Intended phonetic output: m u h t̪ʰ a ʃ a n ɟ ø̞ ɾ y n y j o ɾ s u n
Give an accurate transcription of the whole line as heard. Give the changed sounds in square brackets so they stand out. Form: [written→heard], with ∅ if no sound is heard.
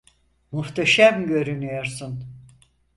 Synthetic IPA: m u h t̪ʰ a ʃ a [n→m] ɟ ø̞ ɾ y n y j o ɾ s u n